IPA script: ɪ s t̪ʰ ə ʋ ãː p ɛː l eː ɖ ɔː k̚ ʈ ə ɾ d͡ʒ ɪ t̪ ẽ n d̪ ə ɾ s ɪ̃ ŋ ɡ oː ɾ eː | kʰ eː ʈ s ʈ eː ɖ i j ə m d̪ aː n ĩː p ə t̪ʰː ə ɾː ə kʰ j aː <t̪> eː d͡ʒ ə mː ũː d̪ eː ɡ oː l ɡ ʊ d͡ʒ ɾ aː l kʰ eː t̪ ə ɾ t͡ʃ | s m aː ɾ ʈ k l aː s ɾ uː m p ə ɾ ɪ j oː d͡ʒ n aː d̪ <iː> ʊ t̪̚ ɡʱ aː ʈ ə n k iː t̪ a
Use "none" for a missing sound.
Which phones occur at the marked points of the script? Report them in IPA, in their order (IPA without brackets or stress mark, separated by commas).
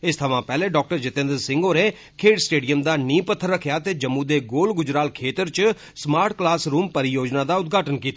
t̪, aː